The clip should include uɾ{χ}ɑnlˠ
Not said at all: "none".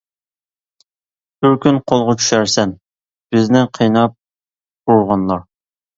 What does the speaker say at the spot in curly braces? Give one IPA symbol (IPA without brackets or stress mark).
ʁ